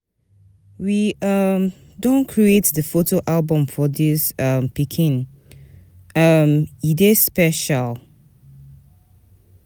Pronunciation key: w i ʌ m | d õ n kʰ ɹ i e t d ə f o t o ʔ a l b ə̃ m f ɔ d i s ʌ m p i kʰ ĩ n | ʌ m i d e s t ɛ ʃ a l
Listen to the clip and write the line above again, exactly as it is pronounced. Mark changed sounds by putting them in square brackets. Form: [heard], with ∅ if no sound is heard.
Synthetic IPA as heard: w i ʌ m | d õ n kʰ ɹ i e t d ə f o t o ʔ a l b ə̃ m f ɔ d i s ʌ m p i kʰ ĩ n | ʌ m i d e s [p] ɛ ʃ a l